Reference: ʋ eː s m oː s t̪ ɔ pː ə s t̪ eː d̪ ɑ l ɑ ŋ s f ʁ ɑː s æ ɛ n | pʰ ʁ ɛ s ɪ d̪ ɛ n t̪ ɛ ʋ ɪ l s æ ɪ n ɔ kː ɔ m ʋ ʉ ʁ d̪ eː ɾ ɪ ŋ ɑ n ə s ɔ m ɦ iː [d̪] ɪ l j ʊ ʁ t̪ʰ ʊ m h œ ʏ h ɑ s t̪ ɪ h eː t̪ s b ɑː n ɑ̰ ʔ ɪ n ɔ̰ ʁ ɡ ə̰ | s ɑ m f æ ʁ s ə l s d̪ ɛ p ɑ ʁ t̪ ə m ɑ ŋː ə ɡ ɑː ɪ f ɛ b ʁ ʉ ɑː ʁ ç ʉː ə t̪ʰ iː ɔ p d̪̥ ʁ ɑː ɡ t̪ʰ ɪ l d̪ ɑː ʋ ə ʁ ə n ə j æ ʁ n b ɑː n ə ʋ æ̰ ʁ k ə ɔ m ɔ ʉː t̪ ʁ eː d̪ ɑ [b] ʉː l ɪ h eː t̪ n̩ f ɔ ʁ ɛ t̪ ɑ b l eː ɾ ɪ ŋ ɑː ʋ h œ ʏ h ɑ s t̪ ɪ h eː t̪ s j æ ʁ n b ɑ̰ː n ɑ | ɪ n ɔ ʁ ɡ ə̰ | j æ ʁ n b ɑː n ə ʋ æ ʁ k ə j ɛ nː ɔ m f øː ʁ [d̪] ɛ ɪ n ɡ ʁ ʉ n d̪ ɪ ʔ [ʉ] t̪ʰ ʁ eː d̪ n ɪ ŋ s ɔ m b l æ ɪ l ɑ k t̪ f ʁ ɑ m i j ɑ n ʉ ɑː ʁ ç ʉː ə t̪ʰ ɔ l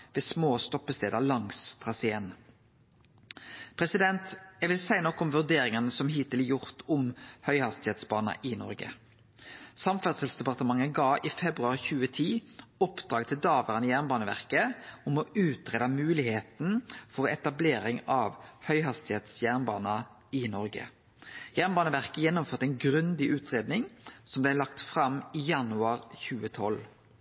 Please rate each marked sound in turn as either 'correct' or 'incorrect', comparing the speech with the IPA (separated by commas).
incorrect, incorrect, incorrect, incorrect